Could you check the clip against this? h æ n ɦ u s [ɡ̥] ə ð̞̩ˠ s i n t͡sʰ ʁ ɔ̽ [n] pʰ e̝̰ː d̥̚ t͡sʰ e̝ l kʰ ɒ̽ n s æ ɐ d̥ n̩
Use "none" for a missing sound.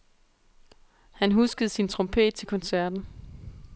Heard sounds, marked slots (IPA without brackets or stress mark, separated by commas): ɡ̥, m